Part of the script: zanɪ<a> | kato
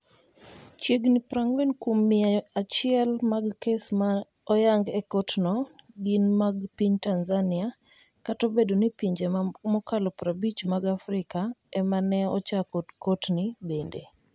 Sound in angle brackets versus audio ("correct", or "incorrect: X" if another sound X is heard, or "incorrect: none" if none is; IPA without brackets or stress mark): correct